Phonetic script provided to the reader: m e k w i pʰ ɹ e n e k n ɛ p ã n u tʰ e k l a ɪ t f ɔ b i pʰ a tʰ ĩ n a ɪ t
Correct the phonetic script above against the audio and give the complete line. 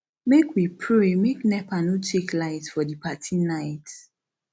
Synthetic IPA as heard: m e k w i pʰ ɹ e m e k n ɛ p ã n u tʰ e k l a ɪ t f ɔ d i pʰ a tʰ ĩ n a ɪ t